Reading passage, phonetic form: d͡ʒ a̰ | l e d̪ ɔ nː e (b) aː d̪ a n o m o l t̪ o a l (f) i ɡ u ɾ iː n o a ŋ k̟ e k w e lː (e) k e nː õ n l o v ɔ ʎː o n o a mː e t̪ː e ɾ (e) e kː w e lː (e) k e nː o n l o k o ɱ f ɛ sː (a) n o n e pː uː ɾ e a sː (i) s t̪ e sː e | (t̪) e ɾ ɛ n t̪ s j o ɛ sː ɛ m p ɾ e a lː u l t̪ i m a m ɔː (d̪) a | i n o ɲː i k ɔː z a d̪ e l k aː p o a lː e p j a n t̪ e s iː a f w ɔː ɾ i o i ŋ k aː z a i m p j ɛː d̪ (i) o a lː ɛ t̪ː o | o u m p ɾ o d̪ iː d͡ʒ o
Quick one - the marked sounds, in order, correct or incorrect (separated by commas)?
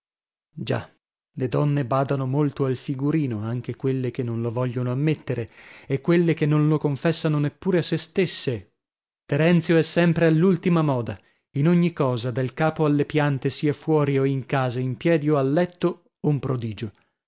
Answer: correct, correct, correct, correct, correct, correct, incorrect, correct, correct, correct